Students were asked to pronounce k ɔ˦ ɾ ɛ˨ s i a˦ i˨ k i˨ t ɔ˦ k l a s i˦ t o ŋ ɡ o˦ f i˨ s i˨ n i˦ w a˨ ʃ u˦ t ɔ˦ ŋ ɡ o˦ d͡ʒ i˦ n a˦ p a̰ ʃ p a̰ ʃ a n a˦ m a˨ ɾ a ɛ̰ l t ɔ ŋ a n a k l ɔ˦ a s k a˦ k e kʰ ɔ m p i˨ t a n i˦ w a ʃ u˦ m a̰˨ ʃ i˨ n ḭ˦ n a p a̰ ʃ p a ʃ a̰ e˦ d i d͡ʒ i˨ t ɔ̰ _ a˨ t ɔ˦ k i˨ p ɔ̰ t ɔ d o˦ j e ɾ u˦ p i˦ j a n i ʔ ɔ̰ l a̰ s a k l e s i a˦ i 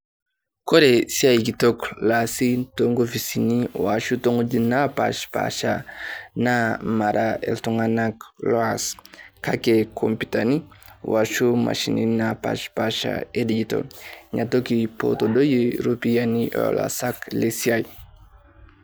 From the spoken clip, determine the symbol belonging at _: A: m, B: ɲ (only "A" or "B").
B